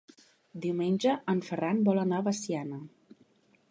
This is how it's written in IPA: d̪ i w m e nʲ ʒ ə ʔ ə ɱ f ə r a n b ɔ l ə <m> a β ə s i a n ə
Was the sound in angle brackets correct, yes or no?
no